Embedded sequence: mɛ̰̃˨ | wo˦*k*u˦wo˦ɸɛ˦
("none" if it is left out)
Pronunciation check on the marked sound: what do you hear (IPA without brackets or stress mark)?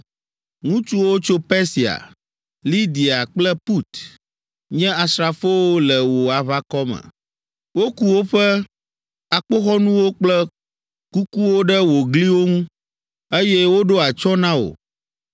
k